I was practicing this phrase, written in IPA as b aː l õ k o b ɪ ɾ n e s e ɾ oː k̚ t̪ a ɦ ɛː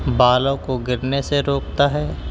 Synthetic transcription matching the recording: b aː l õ k o ɡ ɪ ɾ n e s e ɾ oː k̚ t̪ a ɦ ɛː